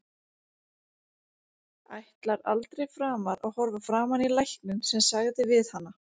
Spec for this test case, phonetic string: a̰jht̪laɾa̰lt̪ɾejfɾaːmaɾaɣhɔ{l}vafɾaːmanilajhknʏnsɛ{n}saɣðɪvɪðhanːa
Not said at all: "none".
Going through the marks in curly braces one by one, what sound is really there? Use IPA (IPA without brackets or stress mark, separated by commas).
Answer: ɾ, m